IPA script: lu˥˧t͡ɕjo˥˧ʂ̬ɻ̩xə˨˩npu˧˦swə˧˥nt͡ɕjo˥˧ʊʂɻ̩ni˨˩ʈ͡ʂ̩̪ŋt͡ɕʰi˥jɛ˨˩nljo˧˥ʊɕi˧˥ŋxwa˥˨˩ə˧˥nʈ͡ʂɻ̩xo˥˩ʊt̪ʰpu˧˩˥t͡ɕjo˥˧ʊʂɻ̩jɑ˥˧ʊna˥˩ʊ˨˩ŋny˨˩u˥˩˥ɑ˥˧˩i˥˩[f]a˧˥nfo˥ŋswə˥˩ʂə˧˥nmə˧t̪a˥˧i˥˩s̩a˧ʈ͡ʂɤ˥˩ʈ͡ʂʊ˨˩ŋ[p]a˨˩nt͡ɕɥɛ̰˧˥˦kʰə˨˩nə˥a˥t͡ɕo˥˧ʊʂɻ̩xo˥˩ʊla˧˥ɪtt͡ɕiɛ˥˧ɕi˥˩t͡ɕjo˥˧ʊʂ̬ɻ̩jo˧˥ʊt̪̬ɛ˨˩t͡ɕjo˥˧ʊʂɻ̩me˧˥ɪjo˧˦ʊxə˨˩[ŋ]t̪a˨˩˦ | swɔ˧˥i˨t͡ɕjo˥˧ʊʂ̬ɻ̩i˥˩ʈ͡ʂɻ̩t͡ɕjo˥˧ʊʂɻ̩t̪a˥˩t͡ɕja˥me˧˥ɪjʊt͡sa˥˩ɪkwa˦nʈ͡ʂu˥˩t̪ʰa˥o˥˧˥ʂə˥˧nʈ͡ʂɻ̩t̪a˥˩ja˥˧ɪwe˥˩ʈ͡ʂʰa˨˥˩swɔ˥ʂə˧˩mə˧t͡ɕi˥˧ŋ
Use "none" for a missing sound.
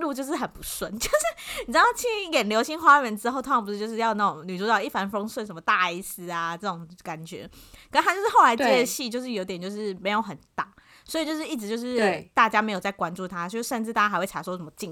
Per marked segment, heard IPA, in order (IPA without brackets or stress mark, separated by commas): f, k, n